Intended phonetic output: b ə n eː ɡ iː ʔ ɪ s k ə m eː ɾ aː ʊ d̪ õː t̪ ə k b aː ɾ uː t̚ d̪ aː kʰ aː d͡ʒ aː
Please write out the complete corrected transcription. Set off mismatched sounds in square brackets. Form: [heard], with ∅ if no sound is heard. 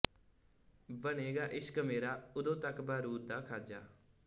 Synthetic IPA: b ə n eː ɡ [aː] ʔ ɪ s k ə m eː ɾ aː ʊ d̪ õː t̪ ə k b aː ɾ uː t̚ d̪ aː kʰ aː d͡ʒ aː